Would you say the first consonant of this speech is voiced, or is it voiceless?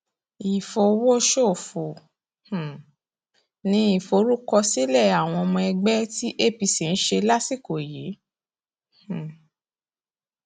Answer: voiceless